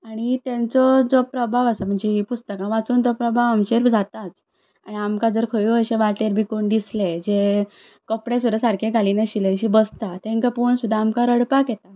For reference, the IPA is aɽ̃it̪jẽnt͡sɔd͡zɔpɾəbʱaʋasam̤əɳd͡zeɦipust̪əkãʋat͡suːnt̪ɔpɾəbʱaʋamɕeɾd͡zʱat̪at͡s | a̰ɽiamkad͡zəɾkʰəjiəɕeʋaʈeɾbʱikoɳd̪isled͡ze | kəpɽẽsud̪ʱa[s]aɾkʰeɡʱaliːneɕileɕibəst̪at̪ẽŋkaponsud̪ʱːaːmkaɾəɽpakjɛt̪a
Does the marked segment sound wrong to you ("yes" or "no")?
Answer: no